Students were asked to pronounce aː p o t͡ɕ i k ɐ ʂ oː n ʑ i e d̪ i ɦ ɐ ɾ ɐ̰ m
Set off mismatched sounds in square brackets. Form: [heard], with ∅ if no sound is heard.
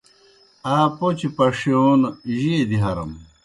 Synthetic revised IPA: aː p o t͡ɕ i [p] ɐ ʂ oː n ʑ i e d̪ i ɦ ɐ ɾ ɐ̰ m